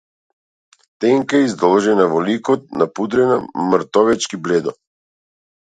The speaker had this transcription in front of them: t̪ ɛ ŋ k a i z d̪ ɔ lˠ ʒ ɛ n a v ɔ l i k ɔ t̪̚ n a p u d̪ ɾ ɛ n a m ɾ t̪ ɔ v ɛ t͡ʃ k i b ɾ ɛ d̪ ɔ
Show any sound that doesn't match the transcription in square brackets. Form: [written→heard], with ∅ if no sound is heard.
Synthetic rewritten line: t̪ ɛ ŋ k a i z d̪ ɔ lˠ ʒ ɛ n a v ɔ l i k ɔ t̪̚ n a p u d̪ ɾ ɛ n a m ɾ t̪ ɔ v ɛ t͡ʃ k i b [ɾ→l] ɛ d̪ ɔ